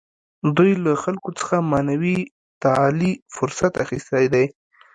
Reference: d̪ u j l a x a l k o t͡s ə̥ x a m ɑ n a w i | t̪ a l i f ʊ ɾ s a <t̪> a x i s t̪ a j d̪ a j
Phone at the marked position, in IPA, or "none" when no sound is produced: t̪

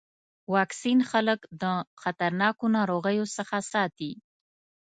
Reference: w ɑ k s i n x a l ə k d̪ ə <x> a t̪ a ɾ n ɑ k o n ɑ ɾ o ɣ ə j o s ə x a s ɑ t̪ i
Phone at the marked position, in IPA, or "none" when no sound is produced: x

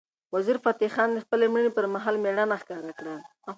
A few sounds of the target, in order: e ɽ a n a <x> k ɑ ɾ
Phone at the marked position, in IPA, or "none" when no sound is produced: x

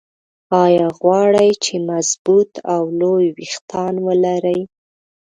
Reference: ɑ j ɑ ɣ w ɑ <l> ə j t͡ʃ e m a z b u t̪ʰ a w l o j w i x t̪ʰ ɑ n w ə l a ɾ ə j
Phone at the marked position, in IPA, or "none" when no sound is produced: ɽ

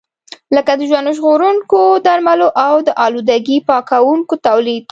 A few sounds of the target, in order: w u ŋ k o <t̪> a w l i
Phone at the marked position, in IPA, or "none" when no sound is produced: t̪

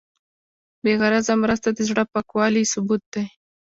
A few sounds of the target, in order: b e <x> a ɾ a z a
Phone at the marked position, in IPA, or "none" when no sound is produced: ɣ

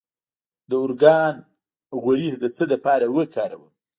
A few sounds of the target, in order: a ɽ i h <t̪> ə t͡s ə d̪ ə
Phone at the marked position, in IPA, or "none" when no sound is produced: d̪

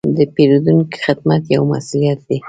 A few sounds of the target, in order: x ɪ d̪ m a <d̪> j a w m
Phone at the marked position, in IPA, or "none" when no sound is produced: t̪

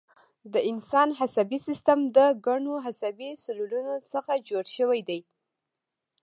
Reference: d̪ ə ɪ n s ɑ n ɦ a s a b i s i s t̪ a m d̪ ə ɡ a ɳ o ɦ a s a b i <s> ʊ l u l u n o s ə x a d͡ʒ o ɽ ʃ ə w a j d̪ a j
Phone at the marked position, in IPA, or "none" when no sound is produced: s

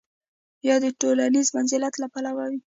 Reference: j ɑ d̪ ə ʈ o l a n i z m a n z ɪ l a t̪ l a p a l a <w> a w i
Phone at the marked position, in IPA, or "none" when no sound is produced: w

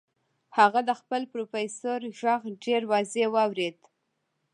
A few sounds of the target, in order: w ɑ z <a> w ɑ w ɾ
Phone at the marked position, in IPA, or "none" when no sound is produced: e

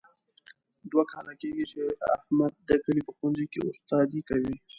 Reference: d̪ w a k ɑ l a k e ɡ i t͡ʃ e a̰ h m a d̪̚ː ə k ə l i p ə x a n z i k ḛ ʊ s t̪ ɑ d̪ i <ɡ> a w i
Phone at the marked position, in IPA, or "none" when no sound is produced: k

